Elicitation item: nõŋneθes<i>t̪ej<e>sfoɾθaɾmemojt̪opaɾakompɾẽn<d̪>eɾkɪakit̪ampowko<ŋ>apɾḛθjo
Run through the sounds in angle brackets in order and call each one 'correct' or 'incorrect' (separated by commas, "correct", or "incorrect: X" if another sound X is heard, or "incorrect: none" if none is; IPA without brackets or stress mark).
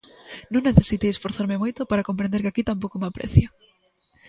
correct, correct, correct, incorrect: m